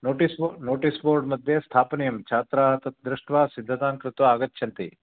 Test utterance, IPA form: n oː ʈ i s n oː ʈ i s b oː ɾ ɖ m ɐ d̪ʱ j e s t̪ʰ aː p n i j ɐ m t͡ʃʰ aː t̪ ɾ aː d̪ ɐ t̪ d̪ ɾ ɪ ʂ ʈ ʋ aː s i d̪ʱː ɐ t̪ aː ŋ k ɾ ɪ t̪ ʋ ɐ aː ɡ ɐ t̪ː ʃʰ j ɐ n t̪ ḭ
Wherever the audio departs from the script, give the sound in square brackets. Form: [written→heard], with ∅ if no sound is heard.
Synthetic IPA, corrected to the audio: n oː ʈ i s n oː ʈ i s b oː ɾ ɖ m ɐ d̪ʱ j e s t̪ʰ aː p n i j ɐ m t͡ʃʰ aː t̪ ɾ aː [d̪→t̪] ɐ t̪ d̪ ɾ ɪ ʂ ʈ ʋ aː s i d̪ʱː ɐ t̪ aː ŋ k ɾ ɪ t̪ ʋ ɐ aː ɡ ɐ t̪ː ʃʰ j ɐ n t̪ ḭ

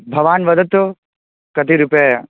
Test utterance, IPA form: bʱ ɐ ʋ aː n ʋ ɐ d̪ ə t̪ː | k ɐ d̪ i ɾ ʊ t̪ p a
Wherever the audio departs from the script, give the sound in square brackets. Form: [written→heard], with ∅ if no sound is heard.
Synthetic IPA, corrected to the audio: bʱ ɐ ʋ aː n ʋ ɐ d̪ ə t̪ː | k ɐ [d̪→t̪] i ɾ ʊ [t̪→∅] p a

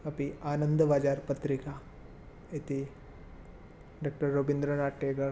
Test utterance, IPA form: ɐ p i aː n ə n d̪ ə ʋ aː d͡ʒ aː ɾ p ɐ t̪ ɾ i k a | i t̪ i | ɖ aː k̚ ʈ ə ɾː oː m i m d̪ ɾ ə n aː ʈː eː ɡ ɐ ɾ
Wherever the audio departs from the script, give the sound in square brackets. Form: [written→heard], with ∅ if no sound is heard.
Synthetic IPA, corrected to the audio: ɐ p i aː n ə n d̪ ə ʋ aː d͡ʒ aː ɾ p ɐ t̪ ɾ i k a | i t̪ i | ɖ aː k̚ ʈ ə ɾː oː [m→b] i [m→n] d̪ ɾ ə n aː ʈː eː ɡ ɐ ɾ

